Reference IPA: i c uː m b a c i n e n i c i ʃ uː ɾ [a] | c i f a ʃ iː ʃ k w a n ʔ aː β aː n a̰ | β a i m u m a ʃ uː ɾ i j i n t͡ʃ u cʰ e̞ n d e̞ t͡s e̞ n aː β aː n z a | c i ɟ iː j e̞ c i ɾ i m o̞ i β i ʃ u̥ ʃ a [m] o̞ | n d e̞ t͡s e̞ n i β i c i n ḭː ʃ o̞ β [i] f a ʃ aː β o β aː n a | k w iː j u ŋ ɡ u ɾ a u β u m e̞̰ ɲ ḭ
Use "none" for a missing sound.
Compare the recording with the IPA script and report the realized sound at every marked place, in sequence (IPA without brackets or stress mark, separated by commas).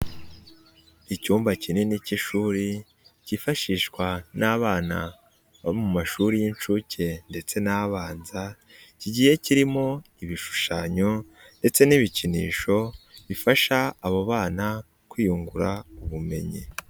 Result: i, ɲ, i